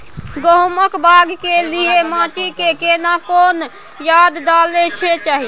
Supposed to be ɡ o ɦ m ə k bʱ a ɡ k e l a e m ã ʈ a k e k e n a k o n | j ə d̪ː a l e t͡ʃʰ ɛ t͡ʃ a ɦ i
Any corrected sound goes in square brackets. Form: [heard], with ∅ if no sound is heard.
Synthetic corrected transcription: ɡ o ɦ m ə k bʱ a ɡ k e l [i] e m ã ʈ [i] k e k e n a k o n | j [a] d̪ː a l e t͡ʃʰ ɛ t͡ʃ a ɦ i